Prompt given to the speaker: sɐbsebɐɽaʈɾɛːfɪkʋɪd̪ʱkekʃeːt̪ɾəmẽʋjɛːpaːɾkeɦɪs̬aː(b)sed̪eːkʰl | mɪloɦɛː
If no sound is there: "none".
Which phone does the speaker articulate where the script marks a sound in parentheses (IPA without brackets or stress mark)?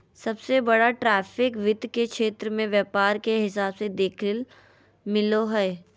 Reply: b